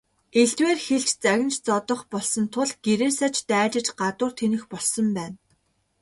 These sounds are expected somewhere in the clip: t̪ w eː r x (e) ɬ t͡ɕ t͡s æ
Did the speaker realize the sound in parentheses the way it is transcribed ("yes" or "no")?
yes